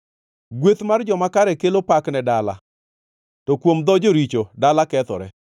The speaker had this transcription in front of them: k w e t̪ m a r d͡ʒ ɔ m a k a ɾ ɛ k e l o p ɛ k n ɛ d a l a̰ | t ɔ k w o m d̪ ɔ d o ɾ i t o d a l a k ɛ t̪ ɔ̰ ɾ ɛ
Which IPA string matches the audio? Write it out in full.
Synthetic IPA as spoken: ɡ w e t̪ m a r d͡ʒ ɔ m a k a ɾ ɛ k e l o p a k n ɛ d a l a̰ | t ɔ k w o m d̪ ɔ d͡ʒ o ɾ i t͡ʃ o d a l a k ɛ t̪ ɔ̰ ɾ ɛ